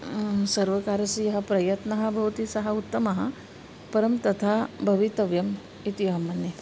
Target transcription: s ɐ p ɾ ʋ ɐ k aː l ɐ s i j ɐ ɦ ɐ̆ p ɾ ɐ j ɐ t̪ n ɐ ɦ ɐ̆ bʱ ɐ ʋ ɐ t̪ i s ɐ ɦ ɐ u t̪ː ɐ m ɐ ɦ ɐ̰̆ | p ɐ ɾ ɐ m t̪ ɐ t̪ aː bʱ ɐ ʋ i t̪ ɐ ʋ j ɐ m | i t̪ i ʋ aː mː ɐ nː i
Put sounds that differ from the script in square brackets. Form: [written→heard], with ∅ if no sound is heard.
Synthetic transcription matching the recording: s ɐ [p→∅] ɾ ʋ ɐ k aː [l→ɾ] ɐ s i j ɐ ɦ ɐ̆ p ɾ ɐ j ɐ t̪ n ɐ ɦ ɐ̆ bʱ ɐ ʋ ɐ t̪ i s ɐ ɦ ɐ u t̪ː ɐ m ɐ ɦ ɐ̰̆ | p ɐ ɾ ɐ m t̪ ɐ [t̪→t̪ʰ] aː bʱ ɐ ʋ i t̪ ɐ ʋ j ɐ m | i t̪ i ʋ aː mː ɐ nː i